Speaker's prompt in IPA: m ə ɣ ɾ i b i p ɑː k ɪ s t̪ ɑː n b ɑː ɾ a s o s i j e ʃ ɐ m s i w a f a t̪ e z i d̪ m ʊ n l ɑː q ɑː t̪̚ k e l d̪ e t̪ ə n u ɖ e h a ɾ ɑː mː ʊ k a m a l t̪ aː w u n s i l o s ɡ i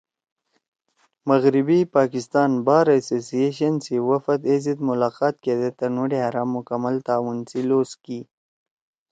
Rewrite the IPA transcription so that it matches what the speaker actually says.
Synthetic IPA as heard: m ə ɣ ɾ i b i p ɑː k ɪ s t̪ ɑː n b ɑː ɾ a s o s i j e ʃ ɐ n s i w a f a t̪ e z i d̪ m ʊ l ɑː q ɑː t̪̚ k e d̪ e t̪ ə n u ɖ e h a ɾ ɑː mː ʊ k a m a l t̪ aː w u n s i l o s k i

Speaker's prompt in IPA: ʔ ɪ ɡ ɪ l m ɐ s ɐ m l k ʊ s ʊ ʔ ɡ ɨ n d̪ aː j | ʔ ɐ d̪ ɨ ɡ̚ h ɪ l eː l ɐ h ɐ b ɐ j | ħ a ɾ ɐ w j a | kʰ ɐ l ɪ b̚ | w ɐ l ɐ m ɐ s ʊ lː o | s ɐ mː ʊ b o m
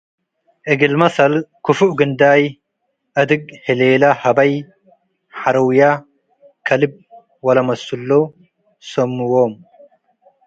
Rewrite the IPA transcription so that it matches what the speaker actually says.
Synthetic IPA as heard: ʔ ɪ ɡ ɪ l m ɐ s ɐ l k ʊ f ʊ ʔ ɡ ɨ n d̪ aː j | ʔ ɐ d̪ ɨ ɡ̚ h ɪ l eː l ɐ h ɐ b ɐ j | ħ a ɾ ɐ w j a | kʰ ɐ l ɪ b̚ | w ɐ l ɐ m ɐ s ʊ lː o | s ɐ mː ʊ w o m

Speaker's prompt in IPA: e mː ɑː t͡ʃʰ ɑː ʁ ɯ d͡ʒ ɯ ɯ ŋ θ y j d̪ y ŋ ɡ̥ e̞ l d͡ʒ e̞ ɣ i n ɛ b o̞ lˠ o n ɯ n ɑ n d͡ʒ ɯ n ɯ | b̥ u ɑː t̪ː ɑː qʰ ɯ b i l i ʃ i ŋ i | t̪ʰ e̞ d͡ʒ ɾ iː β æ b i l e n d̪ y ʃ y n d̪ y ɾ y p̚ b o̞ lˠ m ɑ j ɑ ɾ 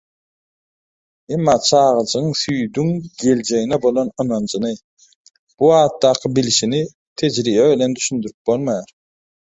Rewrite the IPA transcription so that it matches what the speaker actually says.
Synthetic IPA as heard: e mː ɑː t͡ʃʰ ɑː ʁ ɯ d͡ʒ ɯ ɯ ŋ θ y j d̪ y ŋ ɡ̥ e̞ l d͡ʒ e̞ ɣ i n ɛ b o̞ lˠ o n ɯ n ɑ n d͡ʒ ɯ n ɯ | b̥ u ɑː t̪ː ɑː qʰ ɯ b i l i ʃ i n i | t̪ʰ e̞ d͡ʒ ɾ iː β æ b i l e n d̪ y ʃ y n d̪ y ɾ y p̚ b o̞ lˠ m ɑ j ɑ ɾ

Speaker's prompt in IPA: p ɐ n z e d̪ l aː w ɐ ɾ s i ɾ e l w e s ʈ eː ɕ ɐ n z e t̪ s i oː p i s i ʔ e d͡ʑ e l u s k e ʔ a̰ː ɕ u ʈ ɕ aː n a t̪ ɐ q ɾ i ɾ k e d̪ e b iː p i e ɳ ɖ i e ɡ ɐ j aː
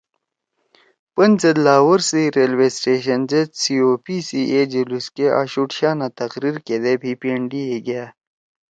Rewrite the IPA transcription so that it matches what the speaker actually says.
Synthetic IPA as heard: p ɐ n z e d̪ l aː w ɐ ɾ s i ɾ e l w e s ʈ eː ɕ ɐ n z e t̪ s i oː p i s i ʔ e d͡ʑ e l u s k e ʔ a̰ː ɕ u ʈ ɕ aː n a t̪ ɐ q ɾ i ɾ k e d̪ e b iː p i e ɳ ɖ i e ɡ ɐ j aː

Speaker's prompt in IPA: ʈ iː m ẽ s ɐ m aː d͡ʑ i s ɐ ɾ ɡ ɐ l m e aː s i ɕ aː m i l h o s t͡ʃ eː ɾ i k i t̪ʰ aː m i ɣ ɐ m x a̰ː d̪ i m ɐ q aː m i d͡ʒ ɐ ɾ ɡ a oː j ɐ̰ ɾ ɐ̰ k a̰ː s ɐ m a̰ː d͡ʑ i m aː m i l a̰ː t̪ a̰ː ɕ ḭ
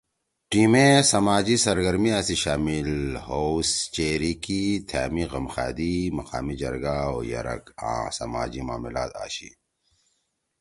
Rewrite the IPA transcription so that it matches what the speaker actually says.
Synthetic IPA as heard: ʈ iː m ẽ s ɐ m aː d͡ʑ i s ɐ ɾ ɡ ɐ ɾ m i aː s i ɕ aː m i l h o s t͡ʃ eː ɾ i k i t̪ʰ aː m i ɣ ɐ m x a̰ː d̪ i m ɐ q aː m i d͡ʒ ɐ ɾ ɡ a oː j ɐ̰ ɾ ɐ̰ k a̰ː s ɐ m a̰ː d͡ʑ i m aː m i l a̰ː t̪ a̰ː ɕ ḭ

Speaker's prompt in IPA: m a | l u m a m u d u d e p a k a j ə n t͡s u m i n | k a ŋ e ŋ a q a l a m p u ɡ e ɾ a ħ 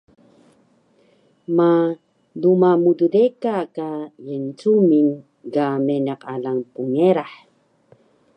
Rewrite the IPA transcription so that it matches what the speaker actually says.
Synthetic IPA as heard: m a | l u m a m u d u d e k a k a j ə n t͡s u m i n | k a m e n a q a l a ŋ p u ŋ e ɾ a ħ

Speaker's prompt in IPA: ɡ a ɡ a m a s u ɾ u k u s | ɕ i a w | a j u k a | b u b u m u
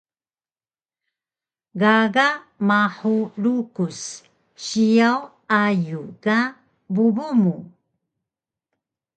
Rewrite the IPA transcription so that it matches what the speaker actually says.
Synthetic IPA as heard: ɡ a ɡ a m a ħ u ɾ u k u s | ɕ i a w | a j u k a | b u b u m u

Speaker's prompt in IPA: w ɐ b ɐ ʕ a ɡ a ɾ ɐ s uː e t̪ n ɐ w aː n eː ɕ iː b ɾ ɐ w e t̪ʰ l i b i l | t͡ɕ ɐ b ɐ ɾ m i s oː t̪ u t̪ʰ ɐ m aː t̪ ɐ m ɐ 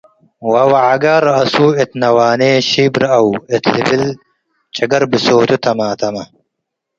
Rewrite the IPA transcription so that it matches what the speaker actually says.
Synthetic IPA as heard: w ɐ w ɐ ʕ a ɡ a ɾ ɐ s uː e t̪ n ɐ w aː n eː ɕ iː b ɾ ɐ w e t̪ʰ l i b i l | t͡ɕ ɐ ɡ ɐ ɾ b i s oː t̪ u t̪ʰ ɐ m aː t̪ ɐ m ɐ

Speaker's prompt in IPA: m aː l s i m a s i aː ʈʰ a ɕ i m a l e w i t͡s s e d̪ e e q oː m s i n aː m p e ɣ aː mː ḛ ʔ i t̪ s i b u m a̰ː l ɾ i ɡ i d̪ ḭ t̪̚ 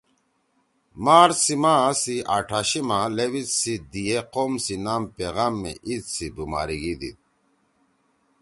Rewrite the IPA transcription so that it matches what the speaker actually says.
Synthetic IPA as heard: m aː ɾ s i m a s i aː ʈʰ a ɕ i m a l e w i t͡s s i d̪ i e q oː m s i n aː m p e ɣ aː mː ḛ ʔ i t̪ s i b u m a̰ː ɾ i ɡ i d̪ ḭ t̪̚

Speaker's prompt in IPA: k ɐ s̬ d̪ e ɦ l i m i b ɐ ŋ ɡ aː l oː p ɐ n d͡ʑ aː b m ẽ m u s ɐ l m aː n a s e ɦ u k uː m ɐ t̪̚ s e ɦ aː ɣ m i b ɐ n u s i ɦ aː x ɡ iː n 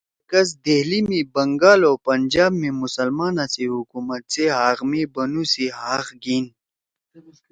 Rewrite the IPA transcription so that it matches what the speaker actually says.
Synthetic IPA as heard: k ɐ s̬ d̪ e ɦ l i m i b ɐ ŋ ɡ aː l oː p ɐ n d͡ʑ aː b m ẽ m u s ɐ l m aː n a s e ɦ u k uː m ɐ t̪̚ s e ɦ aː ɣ m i b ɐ n u s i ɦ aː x ɡ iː n

